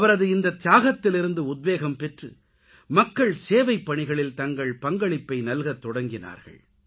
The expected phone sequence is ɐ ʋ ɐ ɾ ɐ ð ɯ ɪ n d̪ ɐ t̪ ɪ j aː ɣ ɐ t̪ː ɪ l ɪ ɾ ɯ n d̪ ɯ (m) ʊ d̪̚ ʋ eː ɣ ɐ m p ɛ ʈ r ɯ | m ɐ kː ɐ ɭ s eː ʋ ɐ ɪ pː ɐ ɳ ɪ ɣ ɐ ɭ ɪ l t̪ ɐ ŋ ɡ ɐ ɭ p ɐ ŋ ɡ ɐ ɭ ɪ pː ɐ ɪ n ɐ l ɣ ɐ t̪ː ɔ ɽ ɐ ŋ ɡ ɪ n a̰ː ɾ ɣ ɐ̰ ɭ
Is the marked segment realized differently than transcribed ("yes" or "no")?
yes